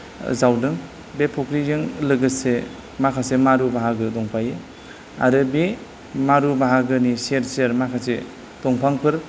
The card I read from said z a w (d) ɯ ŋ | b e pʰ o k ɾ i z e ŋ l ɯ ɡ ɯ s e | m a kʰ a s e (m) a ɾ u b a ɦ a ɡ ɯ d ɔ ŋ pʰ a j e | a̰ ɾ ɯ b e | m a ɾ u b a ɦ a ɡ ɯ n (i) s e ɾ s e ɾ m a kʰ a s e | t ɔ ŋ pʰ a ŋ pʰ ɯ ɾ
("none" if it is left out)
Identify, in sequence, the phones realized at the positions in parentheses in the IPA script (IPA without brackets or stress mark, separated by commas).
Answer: d, m, i